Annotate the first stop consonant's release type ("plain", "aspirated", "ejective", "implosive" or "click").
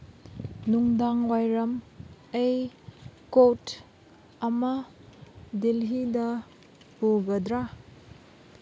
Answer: plain